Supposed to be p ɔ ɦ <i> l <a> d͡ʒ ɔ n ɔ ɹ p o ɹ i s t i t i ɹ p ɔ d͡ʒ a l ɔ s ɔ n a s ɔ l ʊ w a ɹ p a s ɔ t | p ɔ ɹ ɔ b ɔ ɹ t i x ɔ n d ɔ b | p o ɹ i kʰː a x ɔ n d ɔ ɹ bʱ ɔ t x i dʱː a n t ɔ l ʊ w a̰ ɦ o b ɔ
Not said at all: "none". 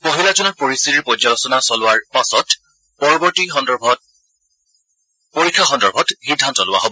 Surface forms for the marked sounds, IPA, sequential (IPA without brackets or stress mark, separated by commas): i, a